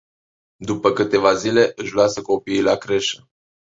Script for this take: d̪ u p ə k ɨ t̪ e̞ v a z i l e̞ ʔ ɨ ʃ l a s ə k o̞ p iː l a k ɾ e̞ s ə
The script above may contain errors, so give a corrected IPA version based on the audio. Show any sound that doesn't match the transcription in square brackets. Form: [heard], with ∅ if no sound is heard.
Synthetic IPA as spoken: d̪ u p ə k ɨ t̪ e̞ v a z i l e̞ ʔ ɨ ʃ l a s ə k o̞ p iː l a k ɾ e̞ [ʃ] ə